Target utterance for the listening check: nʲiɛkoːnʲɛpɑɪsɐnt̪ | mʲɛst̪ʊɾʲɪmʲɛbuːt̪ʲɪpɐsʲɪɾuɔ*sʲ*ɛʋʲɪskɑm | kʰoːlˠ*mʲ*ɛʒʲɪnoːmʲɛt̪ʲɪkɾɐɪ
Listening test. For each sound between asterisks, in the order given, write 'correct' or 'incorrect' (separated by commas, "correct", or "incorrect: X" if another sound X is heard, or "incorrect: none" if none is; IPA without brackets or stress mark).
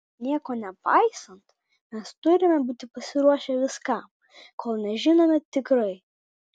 incorrect: ʃʲ, incorrect: nʲ